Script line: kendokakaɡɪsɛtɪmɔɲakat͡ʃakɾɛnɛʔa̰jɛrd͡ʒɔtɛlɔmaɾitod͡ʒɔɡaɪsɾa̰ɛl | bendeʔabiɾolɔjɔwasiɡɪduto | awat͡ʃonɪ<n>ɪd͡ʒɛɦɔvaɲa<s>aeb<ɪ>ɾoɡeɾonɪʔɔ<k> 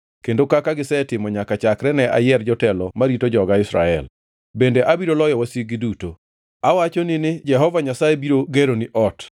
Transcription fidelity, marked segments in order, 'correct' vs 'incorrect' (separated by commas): correct, correct, incorrect, incorrect